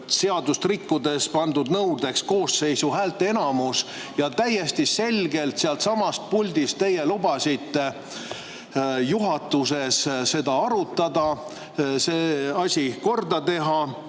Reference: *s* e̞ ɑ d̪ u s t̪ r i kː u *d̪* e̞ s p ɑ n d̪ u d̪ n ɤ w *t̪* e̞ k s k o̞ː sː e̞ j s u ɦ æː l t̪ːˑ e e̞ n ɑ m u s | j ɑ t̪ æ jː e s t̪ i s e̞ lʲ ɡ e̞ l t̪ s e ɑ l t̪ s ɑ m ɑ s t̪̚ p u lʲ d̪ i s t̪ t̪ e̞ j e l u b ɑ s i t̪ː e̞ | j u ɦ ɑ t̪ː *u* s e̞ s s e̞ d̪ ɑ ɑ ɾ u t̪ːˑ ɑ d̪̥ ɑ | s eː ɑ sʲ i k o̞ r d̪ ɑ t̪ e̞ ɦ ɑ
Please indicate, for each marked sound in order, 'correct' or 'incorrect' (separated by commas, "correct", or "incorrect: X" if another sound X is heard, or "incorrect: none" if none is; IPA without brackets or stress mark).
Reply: correct, correct, incorrect: d̪, correct